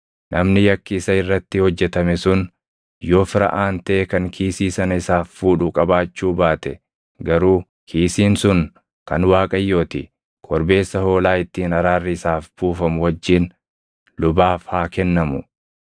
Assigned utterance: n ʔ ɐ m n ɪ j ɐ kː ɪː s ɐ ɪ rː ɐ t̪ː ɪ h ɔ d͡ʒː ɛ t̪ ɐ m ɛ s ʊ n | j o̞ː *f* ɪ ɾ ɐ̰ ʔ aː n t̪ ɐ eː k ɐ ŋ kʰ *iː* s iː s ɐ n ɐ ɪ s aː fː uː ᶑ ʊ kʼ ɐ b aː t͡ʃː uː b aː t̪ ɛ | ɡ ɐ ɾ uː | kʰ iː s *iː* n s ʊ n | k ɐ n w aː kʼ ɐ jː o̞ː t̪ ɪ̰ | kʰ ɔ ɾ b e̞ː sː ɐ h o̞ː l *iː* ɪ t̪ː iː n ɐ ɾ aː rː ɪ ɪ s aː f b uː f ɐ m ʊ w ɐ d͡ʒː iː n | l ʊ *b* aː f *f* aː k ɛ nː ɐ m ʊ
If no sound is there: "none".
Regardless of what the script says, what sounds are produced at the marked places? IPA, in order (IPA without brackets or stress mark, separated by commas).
f, iː, iː, aː, b, h